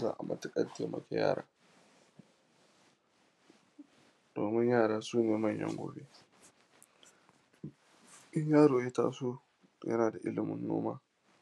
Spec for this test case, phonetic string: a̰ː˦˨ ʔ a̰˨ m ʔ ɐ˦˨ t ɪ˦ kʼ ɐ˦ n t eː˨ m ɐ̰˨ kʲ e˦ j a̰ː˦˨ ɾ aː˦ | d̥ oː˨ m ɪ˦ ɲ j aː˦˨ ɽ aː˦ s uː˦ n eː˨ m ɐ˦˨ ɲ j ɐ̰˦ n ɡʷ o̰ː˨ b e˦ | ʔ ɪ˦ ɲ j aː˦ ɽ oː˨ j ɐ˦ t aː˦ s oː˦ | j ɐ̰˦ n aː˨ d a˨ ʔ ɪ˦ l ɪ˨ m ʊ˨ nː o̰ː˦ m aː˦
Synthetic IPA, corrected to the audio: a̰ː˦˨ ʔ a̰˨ m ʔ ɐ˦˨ t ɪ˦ kʼ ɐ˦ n t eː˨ m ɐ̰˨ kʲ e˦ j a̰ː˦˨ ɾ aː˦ | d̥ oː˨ m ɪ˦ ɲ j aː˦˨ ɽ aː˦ s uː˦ n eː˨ m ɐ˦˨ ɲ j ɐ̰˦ ŋ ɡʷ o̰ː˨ b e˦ | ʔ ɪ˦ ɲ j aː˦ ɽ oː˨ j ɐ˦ t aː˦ s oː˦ | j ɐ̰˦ n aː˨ d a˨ ʔ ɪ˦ l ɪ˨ m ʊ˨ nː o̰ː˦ m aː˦